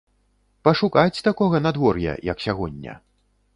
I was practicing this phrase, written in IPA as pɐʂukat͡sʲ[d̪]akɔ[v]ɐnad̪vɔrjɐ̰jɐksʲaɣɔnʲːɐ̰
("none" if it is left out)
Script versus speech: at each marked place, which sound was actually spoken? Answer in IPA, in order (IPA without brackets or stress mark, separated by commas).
t̪, ɣ